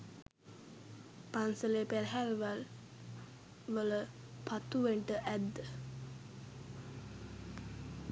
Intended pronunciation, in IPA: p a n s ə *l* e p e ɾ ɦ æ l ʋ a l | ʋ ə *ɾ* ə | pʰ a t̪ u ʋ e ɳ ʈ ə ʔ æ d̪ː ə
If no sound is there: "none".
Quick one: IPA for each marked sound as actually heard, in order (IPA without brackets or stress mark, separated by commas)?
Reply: l, l